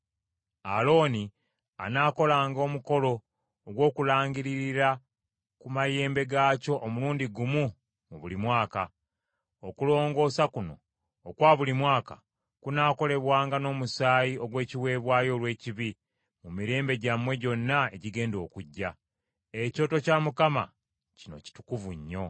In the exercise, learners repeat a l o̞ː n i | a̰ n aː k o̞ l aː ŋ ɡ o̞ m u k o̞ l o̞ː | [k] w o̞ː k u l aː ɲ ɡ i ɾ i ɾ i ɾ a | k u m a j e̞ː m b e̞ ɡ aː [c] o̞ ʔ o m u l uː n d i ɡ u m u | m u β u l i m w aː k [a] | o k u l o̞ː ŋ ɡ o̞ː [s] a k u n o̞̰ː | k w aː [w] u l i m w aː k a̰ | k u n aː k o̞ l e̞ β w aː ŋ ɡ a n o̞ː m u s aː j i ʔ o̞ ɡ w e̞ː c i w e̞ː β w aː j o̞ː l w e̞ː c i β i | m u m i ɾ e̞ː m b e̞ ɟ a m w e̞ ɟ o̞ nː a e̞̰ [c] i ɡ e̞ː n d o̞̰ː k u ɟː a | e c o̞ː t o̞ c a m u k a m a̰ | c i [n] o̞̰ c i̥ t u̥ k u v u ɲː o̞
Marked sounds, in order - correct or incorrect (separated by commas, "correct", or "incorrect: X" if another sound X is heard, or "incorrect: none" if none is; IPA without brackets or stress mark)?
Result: incorrect: ɡ, correct, correct, correct, incorrect: β, incorrect: ɟ, correct